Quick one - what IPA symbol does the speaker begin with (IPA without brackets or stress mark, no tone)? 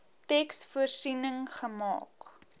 t